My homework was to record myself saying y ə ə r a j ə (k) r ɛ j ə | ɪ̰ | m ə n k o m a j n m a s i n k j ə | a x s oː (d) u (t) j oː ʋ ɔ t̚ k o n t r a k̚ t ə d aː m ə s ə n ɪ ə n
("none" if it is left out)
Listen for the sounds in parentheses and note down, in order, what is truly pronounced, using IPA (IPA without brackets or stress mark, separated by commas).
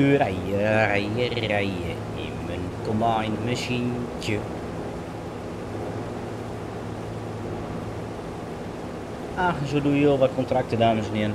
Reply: none, d, none